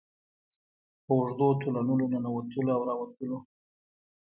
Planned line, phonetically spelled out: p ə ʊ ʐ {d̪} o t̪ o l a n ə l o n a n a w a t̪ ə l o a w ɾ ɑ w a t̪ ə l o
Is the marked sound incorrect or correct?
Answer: correct